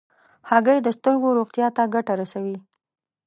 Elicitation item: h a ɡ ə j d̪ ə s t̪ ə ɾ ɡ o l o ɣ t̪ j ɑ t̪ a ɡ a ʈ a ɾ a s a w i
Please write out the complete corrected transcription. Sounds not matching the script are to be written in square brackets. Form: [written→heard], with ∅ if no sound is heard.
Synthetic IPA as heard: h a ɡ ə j d̪ ə s t̪ ə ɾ ɡ o [l→ɾ] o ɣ t̪ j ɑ t̪ a ɡ a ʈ a ɾ a s a w i